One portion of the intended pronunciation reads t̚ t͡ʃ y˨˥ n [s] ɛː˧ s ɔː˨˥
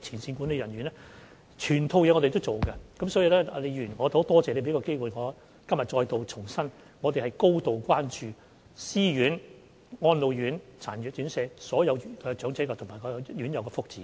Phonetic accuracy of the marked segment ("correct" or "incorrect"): correct